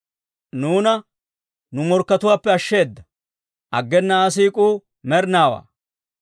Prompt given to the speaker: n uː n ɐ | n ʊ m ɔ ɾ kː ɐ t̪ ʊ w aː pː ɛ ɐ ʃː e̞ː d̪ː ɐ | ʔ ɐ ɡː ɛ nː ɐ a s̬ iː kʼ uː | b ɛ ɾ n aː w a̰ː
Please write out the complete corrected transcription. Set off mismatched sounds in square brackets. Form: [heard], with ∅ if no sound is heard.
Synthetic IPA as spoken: n uː n ɐ | n ʊ m ɔ ɾ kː ɐ t̪ ʊ w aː pː ɛ ɐ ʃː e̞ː d̪ː ɐ | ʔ ɐ ɡː ɛ nː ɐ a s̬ iː kʼ uː | [m] ɛ ɾ n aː w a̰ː

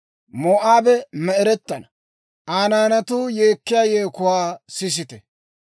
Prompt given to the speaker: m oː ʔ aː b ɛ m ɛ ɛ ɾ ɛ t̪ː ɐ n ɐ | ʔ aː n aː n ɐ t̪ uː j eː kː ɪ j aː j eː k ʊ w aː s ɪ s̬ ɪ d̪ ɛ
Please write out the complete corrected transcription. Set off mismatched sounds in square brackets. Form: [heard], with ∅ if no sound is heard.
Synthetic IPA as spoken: m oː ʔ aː b ɛ m ɛ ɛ ɾ ɛ t̪ː ɐ n ɐ | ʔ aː n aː n ɐ t̪ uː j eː kː ɪ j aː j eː k ʊ w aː s ɪ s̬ ɪ [t̪] ɛ

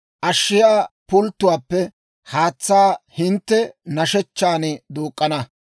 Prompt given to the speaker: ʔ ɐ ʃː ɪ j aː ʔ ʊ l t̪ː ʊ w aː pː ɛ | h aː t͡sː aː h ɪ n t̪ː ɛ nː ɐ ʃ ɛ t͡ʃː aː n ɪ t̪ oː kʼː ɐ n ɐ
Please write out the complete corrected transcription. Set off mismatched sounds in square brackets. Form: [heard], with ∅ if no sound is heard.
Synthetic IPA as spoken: ʔ ɐ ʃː ɪ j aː [p] ʊ l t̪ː ʊ w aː pː ɛ | h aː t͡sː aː h ɪ n t̪ː ɛ [n] ɐ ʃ ɛ t͡ʃː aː n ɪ [d̪] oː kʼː ɐ n ɐ

